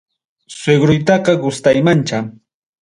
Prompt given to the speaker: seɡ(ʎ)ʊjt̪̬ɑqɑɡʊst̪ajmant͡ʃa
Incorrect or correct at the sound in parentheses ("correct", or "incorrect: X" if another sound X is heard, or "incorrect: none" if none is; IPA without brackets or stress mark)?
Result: incorrect: ɾ